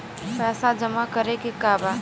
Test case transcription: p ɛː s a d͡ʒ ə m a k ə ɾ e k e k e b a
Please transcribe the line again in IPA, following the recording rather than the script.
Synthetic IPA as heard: p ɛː s a d͡ʒ ə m a k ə ɾ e k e k a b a

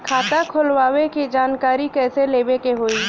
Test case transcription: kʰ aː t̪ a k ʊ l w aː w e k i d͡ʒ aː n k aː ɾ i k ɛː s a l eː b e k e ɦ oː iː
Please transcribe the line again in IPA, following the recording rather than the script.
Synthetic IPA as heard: kʰ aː t̪ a kʰ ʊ l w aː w e k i d͡ʒ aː n k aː ɾ i k ɛː s e l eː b e k e ɦ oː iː

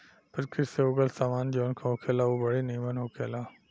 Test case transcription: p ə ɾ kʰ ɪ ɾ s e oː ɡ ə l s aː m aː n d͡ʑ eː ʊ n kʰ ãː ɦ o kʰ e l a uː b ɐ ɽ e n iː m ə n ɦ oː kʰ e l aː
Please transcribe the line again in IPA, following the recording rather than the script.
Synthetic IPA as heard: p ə ɾ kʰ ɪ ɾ s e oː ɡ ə l s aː m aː n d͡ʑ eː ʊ n kʰ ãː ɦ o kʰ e l a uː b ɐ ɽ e n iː m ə n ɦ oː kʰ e l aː

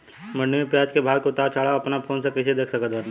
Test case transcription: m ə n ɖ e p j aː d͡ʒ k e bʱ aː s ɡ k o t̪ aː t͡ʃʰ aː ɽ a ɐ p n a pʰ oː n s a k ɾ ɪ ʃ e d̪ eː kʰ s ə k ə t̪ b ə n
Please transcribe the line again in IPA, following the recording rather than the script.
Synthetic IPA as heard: m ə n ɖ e p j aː d͡ʒ k e bʱ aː ɡ k o t̪ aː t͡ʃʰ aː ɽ a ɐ p n a pʰ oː n s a k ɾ ɪ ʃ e d̪ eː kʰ s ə k ə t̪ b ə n

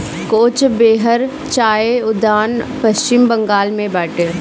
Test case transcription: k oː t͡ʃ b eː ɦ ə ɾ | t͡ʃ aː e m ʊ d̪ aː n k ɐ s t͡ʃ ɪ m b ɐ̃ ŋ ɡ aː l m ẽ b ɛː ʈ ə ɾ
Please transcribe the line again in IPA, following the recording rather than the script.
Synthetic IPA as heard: k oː t͡ʃ b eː ɦ ə ɾ | t͡ʃ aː e ʊ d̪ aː n p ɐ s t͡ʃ ɪ m b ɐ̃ ŋ ɡ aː l m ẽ b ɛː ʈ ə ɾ

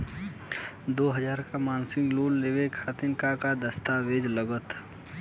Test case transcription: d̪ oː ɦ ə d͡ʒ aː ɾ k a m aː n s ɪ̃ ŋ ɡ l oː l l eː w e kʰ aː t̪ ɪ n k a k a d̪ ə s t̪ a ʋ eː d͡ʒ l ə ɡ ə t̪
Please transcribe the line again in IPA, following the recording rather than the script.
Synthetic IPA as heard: d̪ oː ɦ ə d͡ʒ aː ɾ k a m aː n s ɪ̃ ŋ ɡ l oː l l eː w e kʰ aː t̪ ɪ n k a k a d̪ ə s t̪ a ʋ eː d͡ʒ l ə ɡ ə t̪

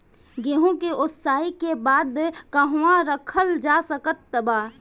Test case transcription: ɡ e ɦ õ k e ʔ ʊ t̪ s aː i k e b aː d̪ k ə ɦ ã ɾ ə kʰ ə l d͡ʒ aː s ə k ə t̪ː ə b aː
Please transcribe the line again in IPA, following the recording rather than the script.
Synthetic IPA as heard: ɡ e ɦ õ k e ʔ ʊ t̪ s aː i k e b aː d̪ k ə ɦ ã ɾ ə kʰ ə l d͡ʒ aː s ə k ə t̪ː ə b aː

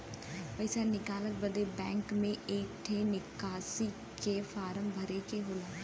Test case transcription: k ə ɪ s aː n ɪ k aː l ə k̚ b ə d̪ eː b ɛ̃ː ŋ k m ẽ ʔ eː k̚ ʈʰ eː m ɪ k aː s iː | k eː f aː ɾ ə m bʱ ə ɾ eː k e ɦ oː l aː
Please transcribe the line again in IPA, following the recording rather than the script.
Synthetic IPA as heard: p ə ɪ s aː n ɪ k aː l ə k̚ b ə d̪ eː b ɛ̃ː ŋ k m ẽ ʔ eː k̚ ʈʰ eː n ɪ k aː s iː | k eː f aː ɾ ə m bʱ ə ɾ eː k e ɦ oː l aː

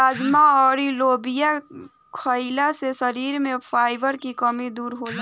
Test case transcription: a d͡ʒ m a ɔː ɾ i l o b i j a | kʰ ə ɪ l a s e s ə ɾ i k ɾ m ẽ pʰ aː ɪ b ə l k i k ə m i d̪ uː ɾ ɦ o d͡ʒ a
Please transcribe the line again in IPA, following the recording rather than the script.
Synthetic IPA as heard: a d͡ʒ m a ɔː ɾ i l o b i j a | kʰ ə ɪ l a s e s ə ɾ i ɾ m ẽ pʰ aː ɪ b ə ɾ k i k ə m i d̪ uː ɾ ɦ o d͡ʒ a

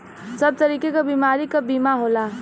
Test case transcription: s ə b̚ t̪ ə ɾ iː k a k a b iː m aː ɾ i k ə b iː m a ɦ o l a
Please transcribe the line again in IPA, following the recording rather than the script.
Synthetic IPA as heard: s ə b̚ t̪ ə ɾ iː k e k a b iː m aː ɾ i k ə b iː m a ɦ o l a

